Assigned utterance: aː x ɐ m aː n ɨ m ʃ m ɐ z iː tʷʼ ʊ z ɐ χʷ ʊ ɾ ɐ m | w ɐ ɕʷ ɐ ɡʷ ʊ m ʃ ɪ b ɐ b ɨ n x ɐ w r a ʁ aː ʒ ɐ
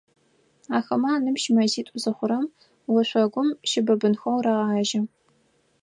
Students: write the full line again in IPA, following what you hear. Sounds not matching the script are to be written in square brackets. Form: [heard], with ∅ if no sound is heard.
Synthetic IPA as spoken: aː x ɐ m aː n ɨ m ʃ m ɐ z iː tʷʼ ʊ z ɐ χʷ ʊ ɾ ɐ m | w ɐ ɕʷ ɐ ɡʷ ʊ m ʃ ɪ b ɐ b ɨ n x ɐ w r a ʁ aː ʒ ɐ